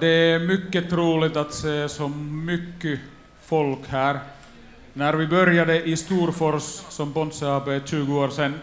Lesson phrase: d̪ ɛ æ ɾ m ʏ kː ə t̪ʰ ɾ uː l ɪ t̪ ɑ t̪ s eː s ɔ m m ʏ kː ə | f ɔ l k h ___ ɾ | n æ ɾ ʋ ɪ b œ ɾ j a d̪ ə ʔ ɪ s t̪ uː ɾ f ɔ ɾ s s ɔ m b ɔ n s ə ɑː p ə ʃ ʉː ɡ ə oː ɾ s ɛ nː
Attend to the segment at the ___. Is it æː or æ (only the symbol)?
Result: æː